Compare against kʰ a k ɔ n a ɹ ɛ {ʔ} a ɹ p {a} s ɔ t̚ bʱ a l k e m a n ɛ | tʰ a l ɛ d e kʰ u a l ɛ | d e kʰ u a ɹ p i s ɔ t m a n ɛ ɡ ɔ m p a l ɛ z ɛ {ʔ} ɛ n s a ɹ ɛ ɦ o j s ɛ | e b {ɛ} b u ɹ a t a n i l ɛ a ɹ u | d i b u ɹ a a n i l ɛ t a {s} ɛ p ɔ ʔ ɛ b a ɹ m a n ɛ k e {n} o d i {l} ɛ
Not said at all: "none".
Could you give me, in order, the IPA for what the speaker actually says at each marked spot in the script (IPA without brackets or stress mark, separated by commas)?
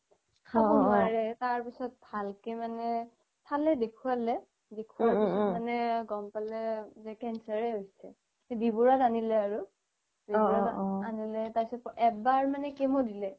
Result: t, i, k, i, s, m, l